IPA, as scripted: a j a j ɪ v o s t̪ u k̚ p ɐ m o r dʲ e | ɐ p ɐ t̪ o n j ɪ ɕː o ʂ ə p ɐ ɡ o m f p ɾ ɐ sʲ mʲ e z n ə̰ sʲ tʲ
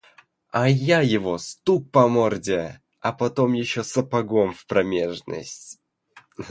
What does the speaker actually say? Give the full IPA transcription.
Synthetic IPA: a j a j ɪ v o s t̪ u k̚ p ɐ m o r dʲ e | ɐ p ɐ t̪ o m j ɪ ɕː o s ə p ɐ ɡ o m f p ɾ ɐ mʲ e ʐ n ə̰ sʲ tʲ